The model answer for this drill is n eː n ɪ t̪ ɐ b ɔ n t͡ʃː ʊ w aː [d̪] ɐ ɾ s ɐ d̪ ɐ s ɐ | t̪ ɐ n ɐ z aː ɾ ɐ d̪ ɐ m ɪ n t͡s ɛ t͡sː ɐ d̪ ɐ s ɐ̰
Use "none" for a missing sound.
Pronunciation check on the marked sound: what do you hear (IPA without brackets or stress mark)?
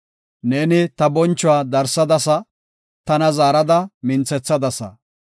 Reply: d̪